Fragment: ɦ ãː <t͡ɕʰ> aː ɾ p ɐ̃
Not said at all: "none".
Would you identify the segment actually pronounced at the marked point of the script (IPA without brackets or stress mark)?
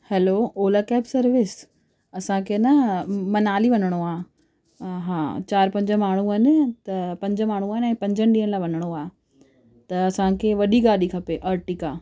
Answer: t͡ɕ